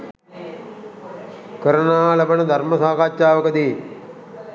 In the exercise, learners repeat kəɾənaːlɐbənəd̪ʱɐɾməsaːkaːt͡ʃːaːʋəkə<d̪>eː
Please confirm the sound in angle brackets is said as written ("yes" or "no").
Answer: yes